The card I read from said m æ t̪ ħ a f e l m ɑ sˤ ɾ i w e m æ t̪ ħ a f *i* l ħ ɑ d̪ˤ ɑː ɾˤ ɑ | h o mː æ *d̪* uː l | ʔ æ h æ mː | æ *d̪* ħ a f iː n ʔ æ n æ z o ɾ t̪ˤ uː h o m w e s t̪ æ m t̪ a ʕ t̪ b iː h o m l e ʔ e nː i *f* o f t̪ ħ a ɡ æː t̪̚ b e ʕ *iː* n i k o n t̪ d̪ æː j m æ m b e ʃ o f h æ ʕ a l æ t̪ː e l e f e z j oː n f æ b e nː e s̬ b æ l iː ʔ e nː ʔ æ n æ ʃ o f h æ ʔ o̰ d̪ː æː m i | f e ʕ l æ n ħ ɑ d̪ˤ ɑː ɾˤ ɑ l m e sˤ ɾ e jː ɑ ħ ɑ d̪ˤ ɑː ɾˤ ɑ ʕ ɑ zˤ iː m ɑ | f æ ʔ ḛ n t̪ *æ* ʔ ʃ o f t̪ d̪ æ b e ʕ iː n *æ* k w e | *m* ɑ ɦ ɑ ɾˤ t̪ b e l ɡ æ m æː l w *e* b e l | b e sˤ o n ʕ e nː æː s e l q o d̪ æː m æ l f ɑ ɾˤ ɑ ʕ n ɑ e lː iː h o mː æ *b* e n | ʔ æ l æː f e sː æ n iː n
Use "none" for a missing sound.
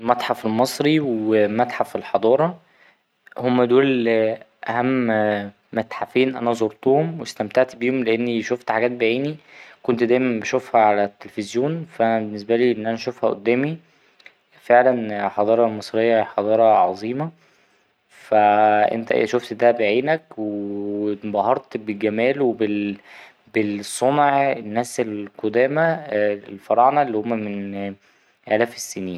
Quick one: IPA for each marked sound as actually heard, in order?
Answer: e, d̪, t̪, ʃ, iː, æ, æ, b, e, m

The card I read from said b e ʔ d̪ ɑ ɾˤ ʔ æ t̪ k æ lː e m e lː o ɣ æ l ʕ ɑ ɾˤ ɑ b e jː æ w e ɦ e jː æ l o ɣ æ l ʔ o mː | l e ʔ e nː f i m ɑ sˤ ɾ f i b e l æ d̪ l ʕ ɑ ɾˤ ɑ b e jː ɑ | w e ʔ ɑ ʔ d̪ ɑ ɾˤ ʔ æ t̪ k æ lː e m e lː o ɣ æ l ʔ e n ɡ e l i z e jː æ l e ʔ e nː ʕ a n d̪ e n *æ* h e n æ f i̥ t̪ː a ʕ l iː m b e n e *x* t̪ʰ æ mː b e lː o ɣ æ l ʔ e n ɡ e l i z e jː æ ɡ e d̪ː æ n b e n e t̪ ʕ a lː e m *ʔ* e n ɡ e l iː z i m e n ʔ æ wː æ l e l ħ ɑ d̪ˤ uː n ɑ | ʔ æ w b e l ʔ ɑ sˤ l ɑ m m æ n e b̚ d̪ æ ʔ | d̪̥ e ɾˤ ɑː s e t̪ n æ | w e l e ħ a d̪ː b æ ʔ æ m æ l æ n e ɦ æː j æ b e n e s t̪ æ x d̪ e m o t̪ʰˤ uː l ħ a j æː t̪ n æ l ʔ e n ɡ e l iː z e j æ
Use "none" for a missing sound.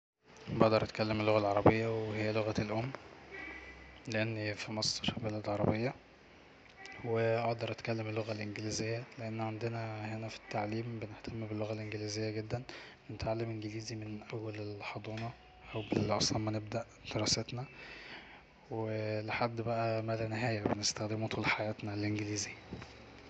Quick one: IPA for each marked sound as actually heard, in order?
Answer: æ, h, ʔ

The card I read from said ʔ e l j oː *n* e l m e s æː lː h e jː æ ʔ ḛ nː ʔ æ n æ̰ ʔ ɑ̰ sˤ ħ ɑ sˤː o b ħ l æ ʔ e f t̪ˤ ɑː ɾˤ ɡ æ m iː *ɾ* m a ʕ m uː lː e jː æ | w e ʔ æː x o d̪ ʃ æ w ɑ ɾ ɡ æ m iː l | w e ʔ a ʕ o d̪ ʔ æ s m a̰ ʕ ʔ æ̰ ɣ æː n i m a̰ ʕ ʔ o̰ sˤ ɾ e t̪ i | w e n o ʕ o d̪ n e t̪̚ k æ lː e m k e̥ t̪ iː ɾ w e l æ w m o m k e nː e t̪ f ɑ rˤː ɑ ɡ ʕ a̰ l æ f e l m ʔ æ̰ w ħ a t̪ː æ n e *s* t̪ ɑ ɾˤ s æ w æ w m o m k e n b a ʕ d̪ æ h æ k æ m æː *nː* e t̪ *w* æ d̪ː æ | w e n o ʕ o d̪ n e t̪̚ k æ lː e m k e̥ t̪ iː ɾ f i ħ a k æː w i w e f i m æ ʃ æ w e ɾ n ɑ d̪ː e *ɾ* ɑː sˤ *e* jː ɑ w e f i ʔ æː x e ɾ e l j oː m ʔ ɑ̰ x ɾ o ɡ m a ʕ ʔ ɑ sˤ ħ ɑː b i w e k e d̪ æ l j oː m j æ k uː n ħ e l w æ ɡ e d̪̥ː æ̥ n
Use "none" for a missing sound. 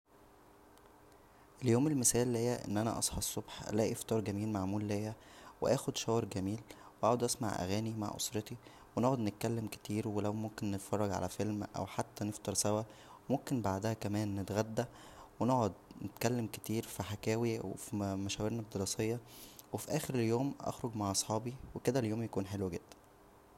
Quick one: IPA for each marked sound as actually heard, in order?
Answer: m, l, f, nː, ɣ, ɾ, e

